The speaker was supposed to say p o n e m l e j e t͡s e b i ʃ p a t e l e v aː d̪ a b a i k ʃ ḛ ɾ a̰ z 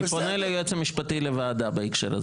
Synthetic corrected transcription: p o n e l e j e t͡s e m i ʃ p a t i l e v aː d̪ a b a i k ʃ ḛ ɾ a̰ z